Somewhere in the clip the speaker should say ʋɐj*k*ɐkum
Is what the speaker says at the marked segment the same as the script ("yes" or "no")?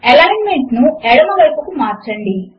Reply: no